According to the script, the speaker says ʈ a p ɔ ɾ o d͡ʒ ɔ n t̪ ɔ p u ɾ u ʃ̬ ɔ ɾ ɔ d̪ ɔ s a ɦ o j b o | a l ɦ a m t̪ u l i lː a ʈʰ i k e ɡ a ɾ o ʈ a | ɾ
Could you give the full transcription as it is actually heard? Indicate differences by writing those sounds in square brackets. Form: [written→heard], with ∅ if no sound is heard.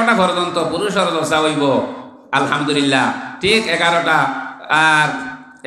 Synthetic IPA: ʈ a p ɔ ɾ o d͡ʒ ɔ n t̪ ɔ p u ɾ u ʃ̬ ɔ ɾ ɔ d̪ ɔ s a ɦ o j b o | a l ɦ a m [t̪→d̪] u l i lː a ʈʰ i k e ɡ a ɾ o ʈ a | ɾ

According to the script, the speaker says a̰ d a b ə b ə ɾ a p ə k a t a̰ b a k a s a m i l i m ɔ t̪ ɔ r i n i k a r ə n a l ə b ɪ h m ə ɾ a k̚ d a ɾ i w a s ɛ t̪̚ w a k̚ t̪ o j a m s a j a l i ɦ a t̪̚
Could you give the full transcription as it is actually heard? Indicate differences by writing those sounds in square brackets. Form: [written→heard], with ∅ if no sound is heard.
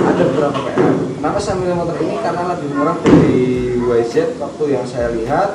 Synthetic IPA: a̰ d a b ə b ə ɾ a p [ə→a] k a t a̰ [b→m] a k a s a m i l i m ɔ t̪ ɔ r i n i k a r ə n a l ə b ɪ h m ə ɾ a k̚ d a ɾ i w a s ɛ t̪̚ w a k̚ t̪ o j a [m→ŋ] s a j a l i ɦ a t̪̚

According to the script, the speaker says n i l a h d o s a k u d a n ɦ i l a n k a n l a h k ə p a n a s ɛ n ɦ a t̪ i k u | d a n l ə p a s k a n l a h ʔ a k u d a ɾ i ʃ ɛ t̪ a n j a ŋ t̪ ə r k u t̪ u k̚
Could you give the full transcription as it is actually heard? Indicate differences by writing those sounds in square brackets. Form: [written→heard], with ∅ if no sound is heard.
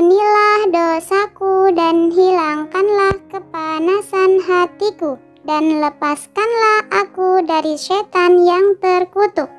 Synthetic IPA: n i l a h d o s a k u d a n ɦ i l a [n→ŋ] k a n l a h k ə p a n a s [ɛ→a] n ɦ a t̪ i k u | d a n l ə p a s k a n l a h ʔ a k u d a ɾ i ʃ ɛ t̪ a n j a ŋ t̪ ə r k u t̪ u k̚

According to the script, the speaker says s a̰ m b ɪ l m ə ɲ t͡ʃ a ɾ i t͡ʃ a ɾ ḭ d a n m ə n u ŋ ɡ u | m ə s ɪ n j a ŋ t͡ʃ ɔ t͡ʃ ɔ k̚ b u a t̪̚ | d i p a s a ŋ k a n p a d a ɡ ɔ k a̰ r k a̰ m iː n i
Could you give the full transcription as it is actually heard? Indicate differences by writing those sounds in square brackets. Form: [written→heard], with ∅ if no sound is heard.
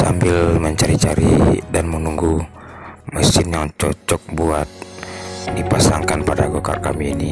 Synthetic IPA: s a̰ m b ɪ l m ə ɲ t͡ʃ a ɾ i t͡ʃ a ɾ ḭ d a n m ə n u ŋ ɡ u | m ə s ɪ n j a ŋ t͡ʃ ɔ t͡ʃ ɔ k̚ b u a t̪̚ | d i p a s a ŋ k a n p a d a ɡ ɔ k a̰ r k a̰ m iː n i

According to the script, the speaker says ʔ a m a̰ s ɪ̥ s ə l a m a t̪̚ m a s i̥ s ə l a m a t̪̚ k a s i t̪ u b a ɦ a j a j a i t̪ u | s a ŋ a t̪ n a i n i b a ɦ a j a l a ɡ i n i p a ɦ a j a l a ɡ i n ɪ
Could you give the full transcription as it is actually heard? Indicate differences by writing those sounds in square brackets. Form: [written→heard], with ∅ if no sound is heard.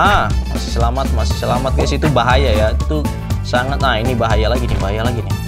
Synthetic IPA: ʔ a m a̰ s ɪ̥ s ə l a m a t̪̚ m a s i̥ s ə l a m a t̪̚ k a s i t̪ u b a ɦ a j a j a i t̪ u | s a ŋ a t̪ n a i n i b a ɦ a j a l a ɡ i n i [p→b] a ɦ a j a l a ɡ i n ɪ

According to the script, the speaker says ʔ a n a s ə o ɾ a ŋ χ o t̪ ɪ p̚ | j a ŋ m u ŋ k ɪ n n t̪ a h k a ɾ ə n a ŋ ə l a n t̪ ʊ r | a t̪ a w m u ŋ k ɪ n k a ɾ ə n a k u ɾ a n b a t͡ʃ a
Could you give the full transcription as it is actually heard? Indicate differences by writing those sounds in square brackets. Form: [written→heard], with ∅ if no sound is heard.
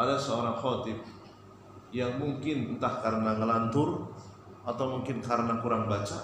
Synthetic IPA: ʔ a [n→d] a s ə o ɾ a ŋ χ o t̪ ɪ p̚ | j a ŋ m u ŋ k ɪ n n t̪ a h k a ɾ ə n a ŋ ə l a n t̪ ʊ r | a t̪ a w m u ŋ k ɪ n k a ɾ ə n a k u ɾ a [n→ŋ] b a t͡ʃ a

